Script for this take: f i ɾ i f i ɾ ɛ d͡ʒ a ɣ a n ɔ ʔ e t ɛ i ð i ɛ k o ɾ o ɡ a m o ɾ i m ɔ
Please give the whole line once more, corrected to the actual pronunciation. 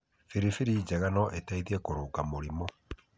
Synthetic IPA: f i ɾ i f i ɾ i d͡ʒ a ɣ a n ɔ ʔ e t a i ð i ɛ k o ɾ o k a m o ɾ i m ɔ